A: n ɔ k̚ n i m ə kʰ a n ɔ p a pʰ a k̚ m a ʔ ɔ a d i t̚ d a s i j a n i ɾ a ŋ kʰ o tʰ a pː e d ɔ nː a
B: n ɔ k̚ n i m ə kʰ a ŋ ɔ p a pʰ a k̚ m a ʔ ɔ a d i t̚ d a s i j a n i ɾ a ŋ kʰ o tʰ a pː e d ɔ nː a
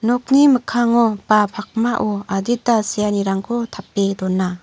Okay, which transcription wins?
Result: B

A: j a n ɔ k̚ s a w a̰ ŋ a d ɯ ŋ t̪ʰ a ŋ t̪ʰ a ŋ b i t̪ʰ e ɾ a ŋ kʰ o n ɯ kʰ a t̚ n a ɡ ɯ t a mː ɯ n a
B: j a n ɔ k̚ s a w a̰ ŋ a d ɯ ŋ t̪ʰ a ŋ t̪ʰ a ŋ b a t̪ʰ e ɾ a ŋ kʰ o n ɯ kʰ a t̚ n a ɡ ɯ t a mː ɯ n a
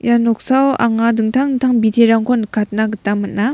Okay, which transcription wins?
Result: A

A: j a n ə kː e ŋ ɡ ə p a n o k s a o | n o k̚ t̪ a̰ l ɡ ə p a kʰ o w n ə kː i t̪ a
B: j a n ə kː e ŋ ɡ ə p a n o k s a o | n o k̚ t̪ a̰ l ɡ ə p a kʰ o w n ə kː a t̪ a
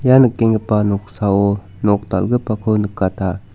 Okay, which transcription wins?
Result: B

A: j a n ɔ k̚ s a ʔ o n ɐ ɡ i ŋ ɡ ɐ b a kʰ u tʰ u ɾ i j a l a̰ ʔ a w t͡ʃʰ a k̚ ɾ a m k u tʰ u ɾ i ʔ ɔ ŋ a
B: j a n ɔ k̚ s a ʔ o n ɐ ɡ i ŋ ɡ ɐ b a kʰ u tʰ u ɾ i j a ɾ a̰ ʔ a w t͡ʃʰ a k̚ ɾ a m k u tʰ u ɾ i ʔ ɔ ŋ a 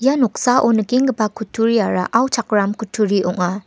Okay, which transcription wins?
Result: B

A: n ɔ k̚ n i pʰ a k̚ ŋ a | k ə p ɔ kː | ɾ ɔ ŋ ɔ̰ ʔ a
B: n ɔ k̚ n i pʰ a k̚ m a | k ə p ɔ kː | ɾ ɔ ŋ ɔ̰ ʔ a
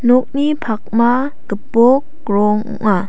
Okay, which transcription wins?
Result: B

